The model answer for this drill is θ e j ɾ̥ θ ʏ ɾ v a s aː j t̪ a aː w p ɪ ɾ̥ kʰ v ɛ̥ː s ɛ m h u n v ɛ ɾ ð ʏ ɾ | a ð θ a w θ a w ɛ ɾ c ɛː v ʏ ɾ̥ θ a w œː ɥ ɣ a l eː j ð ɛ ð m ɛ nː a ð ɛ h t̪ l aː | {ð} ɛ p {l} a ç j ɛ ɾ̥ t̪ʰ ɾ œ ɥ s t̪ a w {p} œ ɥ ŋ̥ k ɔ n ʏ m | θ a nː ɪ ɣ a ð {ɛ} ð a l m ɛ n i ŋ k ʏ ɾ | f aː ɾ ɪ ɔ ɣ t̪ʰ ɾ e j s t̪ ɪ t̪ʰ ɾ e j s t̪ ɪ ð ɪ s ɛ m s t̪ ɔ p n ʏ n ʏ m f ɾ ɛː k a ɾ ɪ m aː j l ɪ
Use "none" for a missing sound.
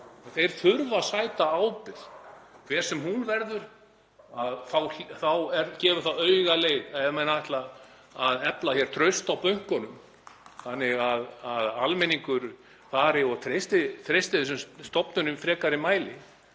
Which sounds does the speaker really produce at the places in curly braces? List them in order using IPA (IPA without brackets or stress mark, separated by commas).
ð, l, p, a